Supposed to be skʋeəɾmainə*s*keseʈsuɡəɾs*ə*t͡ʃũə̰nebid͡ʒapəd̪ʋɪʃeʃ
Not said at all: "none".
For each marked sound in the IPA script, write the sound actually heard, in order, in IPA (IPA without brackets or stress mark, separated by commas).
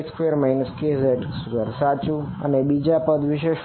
s, a